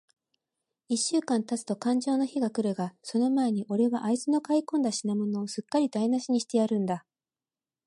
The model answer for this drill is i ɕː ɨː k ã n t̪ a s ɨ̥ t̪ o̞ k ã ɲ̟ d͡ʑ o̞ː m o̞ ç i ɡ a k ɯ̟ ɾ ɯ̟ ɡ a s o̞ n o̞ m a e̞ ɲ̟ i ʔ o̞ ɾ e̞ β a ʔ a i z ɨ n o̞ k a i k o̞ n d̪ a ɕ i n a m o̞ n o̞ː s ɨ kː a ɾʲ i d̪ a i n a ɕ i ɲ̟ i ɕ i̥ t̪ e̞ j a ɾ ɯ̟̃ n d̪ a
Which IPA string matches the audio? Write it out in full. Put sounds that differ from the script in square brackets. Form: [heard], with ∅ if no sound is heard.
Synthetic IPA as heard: i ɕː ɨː k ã n t̪ a [t͡s] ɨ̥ t̪ o̞ k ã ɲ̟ d͡ʑ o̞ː [n] o̞ ç i ɡ a k ɯ̟ ɾ ɯ̟ ɡ a s o̞ n o̞ m a e̞ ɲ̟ i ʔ o̞ ɾ e̞ β a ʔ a i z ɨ n o̞ k a i k [õ̞] n d̪ a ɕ i n a m o̞ n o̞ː s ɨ kː a ɾʲ i d̪ a i n a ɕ i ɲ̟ i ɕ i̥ t̪ e̞ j a ɾ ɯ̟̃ n d̪ a